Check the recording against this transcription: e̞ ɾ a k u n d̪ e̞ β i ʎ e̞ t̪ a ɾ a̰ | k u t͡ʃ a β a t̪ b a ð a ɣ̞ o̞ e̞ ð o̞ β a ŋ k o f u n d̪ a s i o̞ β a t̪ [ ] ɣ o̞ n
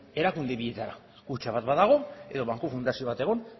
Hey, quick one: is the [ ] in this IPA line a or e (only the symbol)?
e